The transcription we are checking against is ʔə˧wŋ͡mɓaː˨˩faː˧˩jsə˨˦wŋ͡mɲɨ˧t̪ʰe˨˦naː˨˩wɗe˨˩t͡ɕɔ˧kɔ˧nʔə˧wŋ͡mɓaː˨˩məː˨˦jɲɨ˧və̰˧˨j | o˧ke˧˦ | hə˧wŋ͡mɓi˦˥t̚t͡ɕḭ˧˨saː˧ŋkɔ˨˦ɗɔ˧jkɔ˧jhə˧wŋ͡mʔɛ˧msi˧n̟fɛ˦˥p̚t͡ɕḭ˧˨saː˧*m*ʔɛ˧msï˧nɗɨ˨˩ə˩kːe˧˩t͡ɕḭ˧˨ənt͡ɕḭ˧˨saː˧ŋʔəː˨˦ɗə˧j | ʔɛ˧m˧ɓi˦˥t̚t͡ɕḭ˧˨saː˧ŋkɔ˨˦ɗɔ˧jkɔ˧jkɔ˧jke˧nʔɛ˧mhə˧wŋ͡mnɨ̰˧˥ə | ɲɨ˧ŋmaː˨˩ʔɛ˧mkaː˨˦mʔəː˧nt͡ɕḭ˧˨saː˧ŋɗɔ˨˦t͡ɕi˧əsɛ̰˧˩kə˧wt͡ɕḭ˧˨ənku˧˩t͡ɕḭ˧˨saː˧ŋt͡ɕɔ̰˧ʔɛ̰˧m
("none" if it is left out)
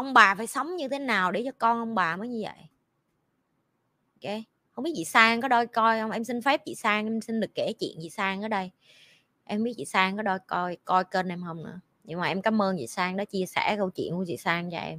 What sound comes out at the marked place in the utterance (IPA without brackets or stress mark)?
ŋ